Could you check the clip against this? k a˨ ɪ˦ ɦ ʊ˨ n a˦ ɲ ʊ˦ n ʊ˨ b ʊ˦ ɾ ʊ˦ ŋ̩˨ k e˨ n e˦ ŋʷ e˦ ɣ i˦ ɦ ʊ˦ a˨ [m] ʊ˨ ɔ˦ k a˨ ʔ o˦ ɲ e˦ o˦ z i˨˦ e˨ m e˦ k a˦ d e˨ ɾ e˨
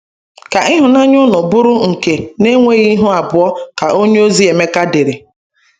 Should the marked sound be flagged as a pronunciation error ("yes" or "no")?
yes